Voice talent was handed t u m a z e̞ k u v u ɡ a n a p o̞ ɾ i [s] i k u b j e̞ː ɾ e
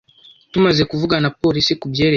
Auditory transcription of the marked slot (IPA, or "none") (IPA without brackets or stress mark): s